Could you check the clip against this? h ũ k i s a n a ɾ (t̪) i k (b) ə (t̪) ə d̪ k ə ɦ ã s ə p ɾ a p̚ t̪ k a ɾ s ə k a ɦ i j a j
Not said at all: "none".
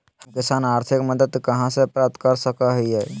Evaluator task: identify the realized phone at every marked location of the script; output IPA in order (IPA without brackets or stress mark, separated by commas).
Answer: t̪ʰ, m, d̪